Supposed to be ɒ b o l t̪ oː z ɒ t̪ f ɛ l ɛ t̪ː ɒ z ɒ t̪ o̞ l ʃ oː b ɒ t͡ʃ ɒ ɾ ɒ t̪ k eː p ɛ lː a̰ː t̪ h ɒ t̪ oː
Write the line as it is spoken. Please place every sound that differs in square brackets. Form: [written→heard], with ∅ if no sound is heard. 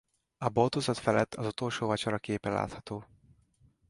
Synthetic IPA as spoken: ɒ b o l t̪ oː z ɒ t̪ f ɛ l ɛ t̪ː ɒ z [ɒ→u] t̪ o̞ l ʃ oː [b→v] ɒ t͡ʃ ɒ ɾ ɒ [t̪→∅] k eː p ɛ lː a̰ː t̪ h ɒ t̪ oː